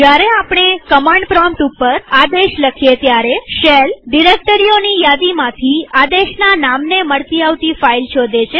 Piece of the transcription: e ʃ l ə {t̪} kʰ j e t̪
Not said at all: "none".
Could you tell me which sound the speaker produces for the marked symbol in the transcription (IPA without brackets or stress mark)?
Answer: none